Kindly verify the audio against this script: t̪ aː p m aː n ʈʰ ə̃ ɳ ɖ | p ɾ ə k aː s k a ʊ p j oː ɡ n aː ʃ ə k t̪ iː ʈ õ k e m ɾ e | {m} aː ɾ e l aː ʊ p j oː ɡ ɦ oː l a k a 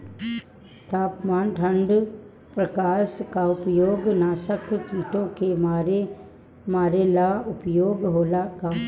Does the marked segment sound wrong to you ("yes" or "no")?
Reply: no